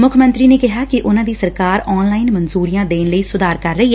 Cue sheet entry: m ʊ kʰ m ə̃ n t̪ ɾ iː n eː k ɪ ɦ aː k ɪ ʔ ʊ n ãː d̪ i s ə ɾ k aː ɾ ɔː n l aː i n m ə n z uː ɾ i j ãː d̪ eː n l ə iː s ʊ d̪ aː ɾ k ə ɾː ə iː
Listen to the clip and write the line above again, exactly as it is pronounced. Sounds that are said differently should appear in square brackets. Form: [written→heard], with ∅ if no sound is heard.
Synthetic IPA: m ʊ kʰ m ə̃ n t̪ ɾ iː n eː k ɪ ɦ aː k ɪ ʔ ʊ n ãː d̪ [i→iː] s ə ɾ k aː ɾ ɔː n l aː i n m ə n z uː ɾ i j ãː d̪ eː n l ə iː s ʊ d̪ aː ɾ k ə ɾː ə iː